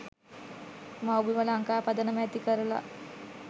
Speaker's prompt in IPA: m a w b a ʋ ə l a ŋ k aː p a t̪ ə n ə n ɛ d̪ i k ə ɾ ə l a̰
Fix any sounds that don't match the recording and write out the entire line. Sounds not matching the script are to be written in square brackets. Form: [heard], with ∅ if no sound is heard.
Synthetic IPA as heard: m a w b [i] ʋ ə l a ŋ k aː p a [d̪] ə n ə [m] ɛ [t̪] i k ə ɾ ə l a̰